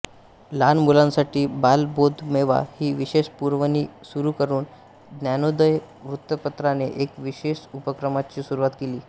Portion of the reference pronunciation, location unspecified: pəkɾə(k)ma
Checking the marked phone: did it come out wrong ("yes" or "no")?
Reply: yes